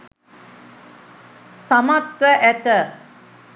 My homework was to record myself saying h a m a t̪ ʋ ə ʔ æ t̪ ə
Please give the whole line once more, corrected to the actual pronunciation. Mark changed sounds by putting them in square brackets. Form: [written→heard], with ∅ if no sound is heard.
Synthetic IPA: [h→s] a m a t̪ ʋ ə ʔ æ t̪ ə